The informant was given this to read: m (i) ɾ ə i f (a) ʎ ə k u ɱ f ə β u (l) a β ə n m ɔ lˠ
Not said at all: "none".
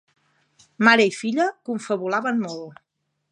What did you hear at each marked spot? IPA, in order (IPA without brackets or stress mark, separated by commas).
a, i, l